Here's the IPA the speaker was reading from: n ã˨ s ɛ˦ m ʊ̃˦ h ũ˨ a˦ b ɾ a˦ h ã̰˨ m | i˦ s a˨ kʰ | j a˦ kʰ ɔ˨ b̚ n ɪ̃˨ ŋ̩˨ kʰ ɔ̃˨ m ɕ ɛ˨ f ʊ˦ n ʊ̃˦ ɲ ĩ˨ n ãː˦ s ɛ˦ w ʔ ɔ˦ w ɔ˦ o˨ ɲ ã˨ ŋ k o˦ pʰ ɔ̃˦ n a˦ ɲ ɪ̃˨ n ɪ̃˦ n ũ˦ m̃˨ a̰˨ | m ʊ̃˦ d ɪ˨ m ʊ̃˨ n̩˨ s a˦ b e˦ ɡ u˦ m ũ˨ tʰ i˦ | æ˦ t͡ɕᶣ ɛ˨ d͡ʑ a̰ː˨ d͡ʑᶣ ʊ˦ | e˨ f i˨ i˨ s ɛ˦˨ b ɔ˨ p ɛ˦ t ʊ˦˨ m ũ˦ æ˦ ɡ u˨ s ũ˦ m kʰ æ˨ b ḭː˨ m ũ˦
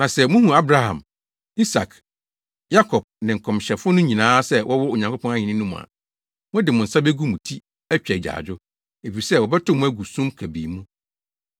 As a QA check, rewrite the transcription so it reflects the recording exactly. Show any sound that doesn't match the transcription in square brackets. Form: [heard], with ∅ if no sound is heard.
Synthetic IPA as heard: n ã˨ s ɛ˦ m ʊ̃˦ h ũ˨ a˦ b ɾ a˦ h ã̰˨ m | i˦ s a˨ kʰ | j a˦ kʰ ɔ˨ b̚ n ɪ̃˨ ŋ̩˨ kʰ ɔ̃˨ m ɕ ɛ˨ f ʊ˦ n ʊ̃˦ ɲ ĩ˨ n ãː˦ s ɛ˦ w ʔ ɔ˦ w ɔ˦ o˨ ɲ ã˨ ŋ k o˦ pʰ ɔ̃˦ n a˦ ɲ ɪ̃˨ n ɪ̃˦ n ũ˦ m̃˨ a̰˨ | m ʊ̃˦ d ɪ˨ m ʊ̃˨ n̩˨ s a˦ b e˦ ɡ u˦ m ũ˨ tʰ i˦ | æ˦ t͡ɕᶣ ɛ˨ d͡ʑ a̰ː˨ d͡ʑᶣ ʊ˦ | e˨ f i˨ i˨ s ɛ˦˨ [w] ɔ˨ [b] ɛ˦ t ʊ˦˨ m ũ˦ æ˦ ɡ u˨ s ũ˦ m kʰ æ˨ b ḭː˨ m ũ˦